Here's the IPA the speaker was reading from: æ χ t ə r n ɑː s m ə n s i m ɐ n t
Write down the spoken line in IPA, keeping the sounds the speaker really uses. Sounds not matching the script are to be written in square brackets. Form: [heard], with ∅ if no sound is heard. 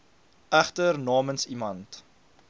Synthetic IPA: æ χ t ə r n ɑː [∅] m ə n s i m ɐ n t